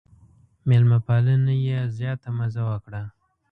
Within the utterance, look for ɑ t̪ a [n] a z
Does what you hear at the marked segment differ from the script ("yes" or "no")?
yes